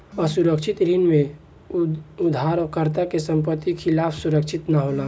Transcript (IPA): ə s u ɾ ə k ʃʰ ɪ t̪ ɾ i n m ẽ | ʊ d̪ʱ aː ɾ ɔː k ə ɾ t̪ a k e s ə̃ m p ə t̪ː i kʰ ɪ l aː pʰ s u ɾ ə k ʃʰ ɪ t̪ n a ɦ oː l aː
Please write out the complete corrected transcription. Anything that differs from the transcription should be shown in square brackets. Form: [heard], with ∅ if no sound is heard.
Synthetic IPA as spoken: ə s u ɾ ə k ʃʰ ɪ t̪ ɾ i n m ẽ | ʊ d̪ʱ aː ɾ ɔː k ə ɾ t̪ a k e s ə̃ m p ə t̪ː i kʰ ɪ l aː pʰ s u ɾ ə k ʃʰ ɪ t̪ n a ɦ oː l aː